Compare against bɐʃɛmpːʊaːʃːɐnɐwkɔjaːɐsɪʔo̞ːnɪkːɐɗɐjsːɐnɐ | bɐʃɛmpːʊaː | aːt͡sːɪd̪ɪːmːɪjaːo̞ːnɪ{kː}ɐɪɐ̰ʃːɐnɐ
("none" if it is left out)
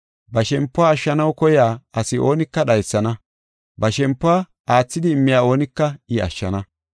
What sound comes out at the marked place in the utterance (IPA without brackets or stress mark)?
kː